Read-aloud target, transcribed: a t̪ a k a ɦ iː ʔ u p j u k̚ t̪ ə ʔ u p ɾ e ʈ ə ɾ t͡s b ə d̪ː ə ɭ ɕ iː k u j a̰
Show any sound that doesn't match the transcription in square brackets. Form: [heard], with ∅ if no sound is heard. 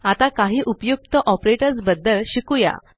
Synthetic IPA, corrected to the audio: a t̪ a k a ɦ iː ʔ u p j u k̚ t̪ ə ʔ [ɔ] p ɾ e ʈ ə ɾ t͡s b ə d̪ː ə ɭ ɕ [i] k u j a̰